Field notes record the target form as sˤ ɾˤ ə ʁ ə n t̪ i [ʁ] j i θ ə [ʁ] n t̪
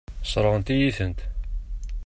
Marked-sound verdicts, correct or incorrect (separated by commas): incorrect, incorrect